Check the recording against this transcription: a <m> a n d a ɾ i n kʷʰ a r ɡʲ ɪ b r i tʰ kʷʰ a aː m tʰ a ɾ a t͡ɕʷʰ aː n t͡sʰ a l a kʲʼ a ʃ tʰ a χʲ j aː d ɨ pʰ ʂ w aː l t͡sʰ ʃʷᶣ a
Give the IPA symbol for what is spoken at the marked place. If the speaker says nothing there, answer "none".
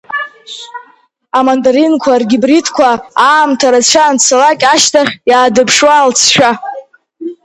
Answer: m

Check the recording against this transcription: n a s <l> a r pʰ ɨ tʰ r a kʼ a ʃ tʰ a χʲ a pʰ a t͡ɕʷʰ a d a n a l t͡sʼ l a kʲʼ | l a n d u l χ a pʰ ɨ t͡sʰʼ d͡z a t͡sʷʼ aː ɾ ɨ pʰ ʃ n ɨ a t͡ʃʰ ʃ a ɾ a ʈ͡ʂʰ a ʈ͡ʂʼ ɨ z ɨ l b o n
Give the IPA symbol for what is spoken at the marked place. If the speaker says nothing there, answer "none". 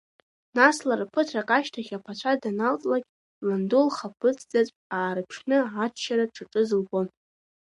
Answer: l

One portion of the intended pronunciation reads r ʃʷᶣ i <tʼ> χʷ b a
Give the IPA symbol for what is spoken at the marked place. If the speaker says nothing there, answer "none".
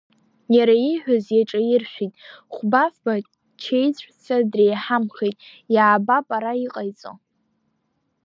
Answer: tʼ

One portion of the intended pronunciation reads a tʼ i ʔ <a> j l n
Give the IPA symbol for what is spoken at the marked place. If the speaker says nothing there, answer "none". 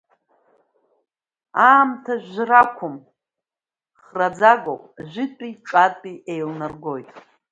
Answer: e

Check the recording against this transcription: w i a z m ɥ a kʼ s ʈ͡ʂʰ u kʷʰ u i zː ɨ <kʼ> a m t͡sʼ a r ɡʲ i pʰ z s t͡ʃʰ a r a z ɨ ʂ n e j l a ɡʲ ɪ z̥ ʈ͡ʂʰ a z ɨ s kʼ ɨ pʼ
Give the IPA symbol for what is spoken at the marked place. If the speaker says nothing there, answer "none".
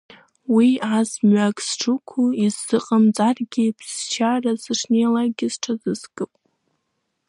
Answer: qʼ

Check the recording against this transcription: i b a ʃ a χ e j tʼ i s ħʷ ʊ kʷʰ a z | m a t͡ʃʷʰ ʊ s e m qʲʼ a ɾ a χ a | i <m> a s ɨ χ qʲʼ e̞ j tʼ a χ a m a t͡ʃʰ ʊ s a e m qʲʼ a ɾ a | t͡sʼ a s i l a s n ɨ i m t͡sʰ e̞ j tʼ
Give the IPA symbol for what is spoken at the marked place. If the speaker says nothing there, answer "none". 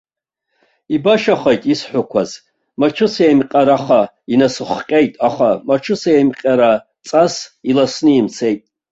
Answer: n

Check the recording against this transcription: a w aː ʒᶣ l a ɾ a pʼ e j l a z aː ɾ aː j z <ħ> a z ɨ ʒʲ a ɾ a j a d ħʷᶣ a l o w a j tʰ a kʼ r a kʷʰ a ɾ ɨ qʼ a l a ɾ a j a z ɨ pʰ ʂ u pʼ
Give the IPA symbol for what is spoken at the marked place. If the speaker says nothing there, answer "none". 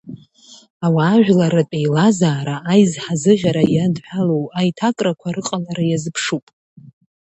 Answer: ħ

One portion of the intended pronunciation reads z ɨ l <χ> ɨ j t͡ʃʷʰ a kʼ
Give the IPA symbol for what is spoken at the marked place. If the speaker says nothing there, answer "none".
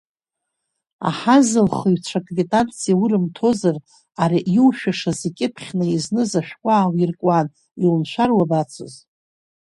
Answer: χ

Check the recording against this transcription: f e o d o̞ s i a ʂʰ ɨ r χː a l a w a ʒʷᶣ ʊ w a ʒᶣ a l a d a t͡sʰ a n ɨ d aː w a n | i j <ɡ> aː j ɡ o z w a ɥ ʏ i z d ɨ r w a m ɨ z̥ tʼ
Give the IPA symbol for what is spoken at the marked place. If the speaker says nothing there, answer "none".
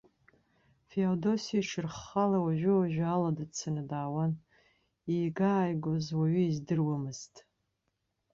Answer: ɡ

